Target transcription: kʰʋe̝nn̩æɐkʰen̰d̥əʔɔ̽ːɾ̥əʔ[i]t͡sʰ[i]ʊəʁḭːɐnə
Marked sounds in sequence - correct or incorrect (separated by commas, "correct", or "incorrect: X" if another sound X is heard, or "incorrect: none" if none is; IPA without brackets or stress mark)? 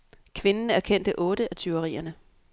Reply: incorrect: æ, incorrect: y